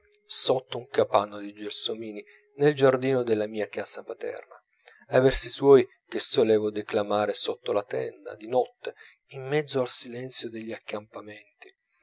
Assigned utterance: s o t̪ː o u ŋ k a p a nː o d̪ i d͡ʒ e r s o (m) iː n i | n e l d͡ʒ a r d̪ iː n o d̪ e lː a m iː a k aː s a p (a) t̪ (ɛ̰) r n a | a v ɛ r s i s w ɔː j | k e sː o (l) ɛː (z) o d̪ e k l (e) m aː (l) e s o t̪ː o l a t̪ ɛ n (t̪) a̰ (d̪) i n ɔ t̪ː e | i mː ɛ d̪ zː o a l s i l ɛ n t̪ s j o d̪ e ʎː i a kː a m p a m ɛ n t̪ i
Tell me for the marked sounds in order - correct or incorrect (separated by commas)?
correct, correct, correct, correct, incorrect, incorrect, incorrect, incorrect, correct